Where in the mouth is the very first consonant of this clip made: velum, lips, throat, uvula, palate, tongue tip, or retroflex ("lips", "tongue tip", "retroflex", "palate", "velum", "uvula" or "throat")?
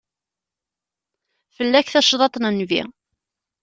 lips